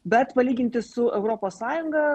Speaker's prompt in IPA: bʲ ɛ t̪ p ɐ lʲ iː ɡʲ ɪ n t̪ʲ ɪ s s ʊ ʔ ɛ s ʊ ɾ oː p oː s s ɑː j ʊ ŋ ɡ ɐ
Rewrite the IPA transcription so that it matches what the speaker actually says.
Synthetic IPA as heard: bʲ ɛ t̪ p ɐ lʲ iː ɡʲ ɪ n t̪ʲ ɪ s s ʊ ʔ ɛ ʊ ɾ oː p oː s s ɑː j ʊ ŋ ɡ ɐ

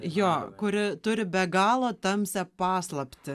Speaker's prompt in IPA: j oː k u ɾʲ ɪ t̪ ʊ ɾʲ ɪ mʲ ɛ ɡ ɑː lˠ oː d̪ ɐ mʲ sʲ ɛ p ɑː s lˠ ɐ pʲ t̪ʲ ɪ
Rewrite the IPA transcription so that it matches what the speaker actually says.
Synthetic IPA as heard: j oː k ʊ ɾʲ ɪ t̪ ʊ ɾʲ ɪ bʲ ɛ ɡ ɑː lˠ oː t̪ ɐ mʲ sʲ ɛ p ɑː s lˠ ɐ pʲ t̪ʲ ɪ

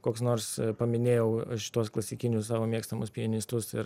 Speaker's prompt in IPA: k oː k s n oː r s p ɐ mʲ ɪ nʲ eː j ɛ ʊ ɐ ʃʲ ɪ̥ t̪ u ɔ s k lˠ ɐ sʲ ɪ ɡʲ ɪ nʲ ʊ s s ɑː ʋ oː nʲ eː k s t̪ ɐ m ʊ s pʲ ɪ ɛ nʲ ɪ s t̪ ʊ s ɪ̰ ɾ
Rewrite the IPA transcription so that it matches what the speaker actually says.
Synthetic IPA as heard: k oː k s n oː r s p ɐ mʲ ɪ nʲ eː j ɛ ʊ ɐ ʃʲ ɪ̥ t̪ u ɔ s k lˠ ɐ sʲ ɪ kʲ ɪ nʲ ʊ s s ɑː ʋ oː mʲ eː k s t̪ ɐ m ʊ s pʲ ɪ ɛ nʲ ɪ s t̪ ʊ s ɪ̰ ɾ

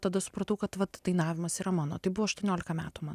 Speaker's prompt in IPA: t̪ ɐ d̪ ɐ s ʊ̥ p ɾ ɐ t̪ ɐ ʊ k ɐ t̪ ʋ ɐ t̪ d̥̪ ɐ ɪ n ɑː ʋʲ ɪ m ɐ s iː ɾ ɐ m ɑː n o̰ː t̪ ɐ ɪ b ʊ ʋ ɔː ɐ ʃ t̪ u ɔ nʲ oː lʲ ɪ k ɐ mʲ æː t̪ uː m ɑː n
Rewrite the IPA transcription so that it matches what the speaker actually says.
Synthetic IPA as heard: t̪ ɐ d̪ ɐ s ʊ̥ p ɾ ɐ t̪ ɐ ʊ k ɐ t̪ ʋ ɐ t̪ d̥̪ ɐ ɪ n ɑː ʋʲ ɪ m ɐ s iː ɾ ɐ m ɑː n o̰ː t̪ ɐ ɪ b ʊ ʋ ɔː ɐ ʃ t̪ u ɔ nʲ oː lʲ ɪ k ɐ mʲ æː t̪ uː m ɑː n

